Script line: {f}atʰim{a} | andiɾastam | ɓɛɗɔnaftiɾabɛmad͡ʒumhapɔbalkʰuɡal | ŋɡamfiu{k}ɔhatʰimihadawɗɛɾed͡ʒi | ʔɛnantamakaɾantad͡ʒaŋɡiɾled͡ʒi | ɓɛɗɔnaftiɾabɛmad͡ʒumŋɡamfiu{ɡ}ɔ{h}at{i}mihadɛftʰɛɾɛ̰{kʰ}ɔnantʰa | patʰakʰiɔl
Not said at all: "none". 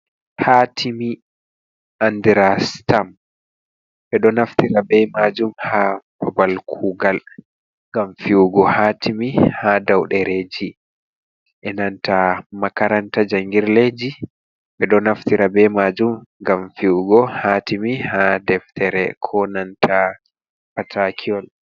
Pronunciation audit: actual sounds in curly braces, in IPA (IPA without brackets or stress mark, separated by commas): h, i, ɡ, ɡ, h, i, kʰ